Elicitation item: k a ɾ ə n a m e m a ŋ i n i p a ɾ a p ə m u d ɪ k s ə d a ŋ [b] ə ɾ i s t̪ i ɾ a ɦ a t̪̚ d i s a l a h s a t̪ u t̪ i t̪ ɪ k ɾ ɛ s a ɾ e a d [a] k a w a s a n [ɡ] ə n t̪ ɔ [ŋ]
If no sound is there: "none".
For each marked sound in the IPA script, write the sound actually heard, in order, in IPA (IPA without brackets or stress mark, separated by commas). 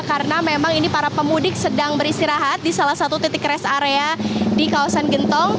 b, i, ɡ, ŋ